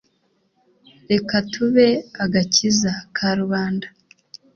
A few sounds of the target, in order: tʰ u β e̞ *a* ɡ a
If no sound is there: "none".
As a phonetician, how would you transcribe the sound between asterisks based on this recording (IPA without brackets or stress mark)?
a